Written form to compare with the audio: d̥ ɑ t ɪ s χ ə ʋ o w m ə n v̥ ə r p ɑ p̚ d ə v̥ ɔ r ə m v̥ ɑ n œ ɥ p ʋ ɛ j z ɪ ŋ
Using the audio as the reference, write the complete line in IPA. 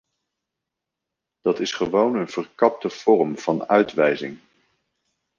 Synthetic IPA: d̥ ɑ t ɪ s χ ə ʋ o w n ə n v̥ ə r k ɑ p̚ t ə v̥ ɔ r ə m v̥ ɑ n œ ɥ t ʋ ɛ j z ɪ ŋ